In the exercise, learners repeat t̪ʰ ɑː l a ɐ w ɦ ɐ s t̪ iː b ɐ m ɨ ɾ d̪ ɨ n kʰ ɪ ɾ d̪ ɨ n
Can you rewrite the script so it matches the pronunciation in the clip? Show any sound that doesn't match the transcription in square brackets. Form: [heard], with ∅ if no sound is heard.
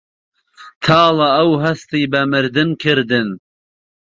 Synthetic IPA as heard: t̪ʰ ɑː l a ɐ w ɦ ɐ s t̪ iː b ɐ m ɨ ɾ d̪ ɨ n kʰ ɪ ɾ d̪ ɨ n